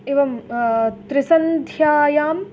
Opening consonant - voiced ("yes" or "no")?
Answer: yes